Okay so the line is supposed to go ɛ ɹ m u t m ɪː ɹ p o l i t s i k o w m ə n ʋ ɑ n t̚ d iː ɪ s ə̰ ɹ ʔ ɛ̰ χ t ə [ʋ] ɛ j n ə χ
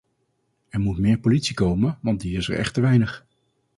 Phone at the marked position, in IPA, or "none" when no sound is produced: ʋ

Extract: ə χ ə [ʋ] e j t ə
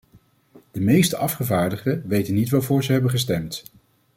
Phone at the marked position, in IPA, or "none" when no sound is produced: ʋ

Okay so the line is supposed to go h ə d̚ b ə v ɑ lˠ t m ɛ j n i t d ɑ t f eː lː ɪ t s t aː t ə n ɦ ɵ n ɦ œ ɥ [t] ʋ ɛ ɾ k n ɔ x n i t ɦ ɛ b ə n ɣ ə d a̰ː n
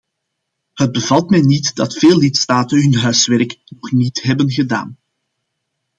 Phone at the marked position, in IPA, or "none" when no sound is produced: s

